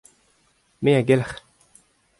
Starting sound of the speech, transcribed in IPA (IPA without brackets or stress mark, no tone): m